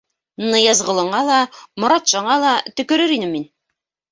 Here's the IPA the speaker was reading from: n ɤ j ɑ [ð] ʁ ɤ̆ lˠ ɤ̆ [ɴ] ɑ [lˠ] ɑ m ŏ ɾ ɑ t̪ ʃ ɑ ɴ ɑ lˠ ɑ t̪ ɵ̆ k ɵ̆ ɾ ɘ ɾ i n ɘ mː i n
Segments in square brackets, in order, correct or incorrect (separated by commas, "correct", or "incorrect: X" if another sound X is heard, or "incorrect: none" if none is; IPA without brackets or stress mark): incorrect: z, correct, correct